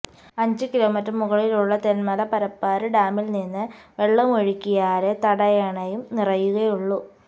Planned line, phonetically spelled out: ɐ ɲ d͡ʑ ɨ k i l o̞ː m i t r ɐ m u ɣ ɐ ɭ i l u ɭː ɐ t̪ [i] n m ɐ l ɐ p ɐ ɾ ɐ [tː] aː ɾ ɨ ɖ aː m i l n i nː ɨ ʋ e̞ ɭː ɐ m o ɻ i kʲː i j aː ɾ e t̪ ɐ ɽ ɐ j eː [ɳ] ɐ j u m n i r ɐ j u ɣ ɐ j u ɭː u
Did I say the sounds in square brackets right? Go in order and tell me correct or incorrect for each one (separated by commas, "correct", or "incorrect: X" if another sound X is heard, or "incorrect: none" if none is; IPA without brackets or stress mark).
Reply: incorrect: e, incorrect: pː, correct